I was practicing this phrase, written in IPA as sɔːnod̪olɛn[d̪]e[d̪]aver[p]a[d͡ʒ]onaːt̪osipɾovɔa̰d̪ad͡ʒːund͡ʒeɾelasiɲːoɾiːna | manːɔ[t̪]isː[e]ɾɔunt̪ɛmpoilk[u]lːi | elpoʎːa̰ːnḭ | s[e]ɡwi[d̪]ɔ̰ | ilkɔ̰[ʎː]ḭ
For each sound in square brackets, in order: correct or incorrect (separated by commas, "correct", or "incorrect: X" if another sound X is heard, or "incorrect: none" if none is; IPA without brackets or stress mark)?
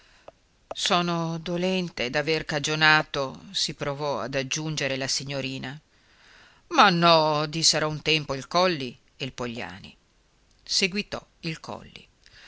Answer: incorrect: t̪, correct, incorrect: k, correct, incorrect: d̪, correct, incorrect: ɔ, correct, incorrect: t̪, incorrect: lː